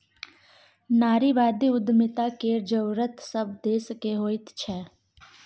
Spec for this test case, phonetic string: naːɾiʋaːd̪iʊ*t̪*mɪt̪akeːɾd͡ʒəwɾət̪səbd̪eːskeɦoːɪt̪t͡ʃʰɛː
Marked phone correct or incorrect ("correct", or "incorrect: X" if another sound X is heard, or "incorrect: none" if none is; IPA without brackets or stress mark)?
incorrect: d̪